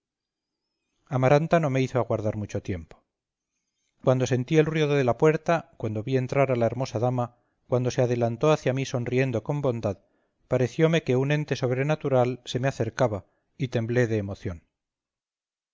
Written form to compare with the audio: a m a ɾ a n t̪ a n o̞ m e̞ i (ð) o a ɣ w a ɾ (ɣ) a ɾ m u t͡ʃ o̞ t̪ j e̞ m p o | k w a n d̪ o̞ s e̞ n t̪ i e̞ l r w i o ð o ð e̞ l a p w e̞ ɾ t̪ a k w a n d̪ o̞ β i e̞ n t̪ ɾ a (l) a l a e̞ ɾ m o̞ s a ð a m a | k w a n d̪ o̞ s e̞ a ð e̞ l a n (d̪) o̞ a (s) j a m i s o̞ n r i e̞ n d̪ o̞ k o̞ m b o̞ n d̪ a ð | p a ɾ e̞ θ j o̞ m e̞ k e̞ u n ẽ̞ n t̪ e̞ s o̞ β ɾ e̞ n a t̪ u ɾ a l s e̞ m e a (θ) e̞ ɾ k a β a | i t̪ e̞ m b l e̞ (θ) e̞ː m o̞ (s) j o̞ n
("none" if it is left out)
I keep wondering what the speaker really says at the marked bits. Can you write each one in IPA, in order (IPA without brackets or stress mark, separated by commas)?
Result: θ, ð, ɾ, t̪, θ, θ, ð, θ